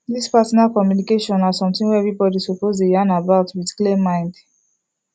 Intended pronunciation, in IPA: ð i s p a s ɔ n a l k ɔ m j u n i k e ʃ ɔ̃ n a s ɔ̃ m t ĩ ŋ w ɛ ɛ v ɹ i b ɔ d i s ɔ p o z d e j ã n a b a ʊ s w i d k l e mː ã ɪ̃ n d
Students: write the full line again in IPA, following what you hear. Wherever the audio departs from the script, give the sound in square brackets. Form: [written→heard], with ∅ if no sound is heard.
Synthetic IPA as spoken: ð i s p a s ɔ n a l k ɔ m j u n i k e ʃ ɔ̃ n a s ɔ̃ m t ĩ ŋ w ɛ ɛ v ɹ i b ɔ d i s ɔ p o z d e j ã n a b a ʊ [s→t] w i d k l e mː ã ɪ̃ n d